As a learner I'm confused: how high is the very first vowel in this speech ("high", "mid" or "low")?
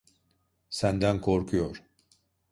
low